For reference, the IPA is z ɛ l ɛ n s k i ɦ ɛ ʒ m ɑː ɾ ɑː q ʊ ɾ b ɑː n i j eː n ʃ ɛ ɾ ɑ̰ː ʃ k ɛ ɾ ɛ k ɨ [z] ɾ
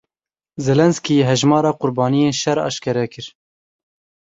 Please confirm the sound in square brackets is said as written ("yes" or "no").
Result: no